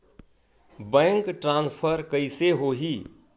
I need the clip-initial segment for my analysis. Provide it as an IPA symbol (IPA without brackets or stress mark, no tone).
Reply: b